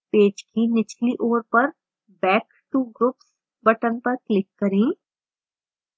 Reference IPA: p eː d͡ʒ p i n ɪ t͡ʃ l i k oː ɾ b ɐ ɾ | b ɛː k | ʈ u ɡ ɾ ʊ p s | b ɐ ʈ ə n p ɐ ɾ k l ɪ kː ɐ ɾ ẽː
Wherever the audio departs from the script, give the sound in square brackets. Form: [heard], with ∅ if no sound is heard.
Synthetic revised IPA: p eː d͡ʒ [k] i n ɪ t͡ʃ l i [ʔ] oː ɾ [p] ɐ ɾ | b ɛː k | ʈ u ɡ ɾ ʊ p s | b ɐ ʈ ə n p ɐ ɾ k l ɪ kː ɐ ɾ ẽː